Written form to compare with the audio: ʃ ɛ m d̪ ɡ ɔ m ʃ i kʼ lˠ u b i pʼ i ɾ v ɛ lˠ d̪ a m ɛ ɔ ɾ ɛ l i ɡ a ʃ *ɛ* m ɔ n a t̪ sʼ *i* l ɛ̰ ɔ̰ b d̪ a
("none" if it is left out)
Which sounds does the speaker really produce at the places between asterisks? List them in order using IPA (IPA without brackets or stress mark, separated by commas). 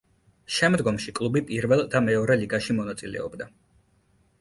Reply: i, i